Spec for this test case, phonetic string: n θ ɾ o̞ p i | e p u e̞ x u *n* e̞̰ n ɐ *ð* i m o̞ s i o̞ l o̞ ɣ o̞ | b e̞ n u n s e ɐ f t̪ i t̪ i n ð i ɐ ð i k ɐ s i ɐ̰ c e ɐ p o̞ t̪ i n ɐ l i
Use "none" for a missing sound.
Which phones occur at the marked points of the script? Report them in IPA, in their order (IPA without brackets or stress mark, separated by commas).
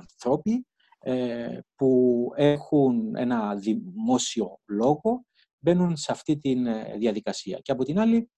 n, ð